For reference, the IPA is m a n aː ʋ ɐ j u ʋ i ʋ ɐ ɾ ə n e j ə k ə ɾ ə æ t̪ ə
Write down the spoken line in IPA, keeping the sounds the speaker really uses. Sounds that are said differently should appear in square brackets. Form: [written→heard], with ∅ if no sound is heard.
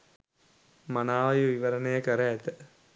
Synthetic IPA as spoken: m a n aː ʋ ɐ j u ʋ i ʋ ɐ ɾ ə n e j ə k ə ɾ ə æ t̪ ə